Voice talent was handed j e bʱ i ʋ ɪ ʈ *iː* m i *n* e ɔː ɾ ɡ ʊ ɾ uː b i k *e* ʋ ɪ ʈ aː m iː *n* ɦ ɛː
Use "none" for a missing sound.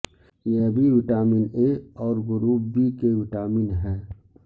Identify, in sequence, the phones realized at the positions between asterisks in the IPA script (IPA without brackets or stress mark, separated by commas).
aː, n, e, n